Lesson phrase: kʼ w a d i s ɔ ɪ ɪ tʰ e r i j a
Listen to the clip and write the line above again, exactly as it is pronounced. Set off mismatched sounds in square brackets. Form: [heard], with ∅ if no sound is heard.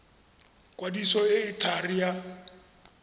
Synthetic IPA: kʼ w a d i s ɔ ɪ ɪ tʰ [a] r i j a